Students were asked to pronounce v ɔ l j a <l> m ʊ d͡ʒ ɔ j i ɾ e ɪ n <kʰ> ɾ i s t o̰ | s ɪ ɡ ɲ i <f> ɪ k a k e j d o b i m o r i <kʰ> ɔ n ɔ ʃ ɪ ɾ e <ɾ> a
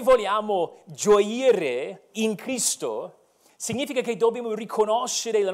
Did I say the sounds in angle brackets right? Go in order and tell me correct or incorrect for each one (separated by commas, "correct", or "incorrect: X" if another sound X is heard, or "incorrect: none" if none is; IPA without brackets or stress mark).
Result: incorrect: none, correct, correct, correct, incorrect: l